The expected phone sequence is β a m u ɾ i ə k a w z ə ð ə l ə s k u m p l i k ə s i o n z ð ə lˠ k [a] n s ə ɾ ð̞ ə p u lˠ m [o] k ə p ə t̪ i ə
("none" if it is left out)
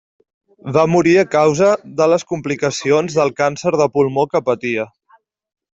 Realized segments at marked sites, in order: a, o

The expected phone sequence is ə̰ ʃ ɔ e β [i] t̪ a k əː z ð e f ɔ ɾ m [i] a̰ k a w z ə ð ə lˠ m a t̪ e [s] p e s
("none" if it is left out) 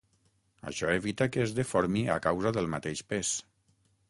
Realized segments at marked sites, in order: i, i, ʃ

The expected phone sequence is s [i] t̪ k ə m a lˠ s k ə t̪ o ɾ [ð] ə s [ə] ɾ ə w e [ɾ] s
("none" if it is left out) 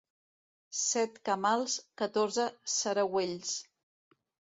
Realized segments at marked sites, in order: ɛ, z, ə, ʎ

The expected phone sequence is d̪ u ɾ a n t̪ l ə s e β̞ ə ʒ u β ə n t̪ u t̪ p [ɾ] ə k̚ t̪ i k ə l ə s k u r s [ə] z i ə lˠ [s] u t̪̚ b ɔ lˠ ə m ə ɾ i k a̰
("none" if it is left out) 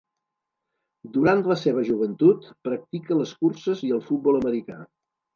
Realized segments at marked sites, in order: ɾ, ə, f

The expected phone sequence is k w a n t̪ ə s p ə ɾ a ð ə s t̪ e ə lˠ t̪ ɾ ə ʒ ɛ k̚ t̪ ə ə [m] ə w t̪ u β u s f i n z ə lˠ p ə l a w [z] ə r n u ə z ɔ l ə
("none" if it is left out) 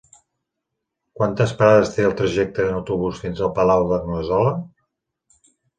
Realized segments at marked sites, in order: n, ð

